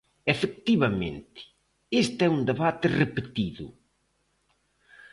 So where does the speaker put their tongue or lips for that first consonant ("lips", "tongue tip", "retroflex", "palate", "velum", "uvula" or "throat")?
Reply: lips